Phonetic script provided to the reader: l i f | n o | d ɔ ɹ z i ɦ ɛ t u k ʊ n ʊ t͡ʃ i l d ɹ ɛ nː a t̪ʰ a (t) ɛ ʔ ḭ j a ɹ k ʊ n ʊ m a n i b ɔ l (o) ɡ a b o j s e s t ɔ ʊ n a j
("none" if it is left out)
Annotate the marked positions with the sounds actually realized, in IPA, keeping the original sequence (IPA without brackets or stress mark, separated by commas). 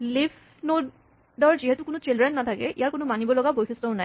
k, ɔ